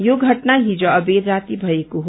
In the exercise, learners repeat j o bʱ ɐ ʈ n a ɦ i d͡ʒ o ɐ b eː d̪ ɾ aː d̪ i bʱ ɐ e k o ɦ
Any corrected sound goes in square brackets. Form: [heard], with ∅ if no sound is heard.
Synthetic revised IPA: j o [ɡʱ] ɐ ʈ n a ɦ i d͡ʒ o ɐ b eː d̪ ɾ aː [t̪] i bʱ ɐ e k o ɦ